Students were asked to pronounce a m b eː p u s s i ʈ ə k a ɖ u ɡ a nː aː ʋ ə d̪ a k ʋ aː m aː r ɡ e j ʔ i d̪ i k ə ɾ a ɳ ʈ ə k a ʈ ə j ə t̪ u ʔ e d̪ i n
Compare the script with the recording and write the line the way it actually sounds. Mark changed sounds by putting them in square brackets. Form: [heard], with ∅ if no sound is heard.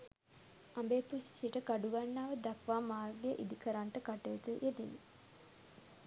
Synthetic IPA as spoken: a m b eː p u s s i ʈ ə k a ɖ u ɡ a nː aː ʋ ə d̪ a k ʋ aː m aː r ɡ e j ʔ i d̪ i k ə ɾ a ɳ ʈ ə k a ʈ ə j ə t̪ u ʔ e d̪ i n

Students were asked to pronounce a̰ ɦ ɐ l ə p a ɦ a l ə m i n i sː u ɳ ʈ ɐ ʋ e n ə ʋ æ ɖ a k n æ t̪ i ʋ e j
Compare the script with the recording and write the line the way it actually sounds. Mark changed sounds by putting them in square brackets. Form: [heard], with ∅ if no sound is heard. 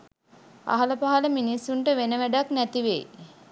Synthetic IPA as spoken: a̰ ɦ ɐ l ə p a ɦ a l ə m i n i sː u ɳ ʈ [ə] ʋ e n ə ʋ æ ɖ a k n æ t̪ i ʋ e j

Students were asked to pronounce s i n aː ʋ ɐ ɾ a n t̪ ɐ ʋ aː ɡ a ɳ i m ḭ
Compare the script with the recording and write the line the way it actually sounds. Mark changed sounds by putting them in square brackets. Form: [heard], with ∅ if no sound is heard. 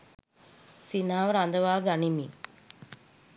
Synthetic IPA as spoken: s i n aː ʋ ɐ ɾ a n [d̪] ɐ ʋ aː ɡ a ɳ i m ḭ

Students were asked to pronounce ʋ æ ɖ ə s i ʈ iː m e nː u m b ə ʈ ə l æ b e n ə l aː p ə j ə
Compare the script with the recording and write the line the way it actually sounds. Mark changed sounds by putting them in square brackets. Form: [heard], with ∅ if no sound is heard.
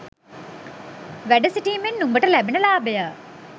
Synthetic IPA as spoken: ʋ æ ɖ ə s i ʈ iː m e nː u m b ə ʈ ə l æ b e n ə l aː [b] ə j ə

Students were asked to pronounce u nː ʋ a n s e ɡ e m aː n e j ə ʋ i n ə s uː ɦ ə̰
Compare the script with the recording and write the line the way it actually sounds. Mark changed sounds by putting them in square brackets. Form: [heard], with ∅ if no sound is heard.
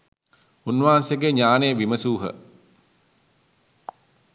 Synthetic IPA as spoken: u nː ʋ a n s e ɡ e [ɲ] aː n e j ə ʋ i [m] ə s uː ɦ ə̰

